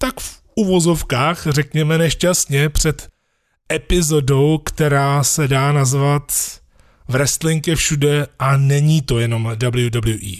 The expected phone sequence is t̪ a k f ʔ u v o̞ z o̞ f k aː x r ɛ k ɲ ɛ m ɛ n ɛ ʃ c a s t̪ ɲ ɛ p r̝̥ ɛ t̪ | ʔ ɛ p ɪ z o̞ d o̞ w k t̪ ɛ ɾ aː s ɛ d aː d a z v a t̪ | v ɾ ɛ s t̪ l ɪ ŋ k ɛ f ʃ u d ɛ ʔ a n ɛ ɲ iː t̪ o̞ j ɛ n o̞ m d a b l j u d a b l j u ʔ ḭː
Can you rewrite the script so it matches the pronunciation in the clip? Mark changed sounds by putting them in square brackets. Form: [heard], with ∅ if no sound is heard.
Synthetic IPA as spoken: t̪ a k f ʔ u v o̞ z o̞ f k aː x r ɛ k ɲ ɛ m ɛ n ɛ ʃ c a s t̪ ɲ ɛ p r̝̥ ɛ t̪ | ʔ ɛ p ɪ z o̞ d o̞ w k t̪ ɛ ɾ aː s ɛ d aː [n] a z v a t̪ | v ɾ ɛ s t̪ l ɪ ŋ k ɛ f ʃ u d ɛ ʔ a n ɛ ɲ iː t̪ o̞ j ɛ n o̞ m d a b l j u d a b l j u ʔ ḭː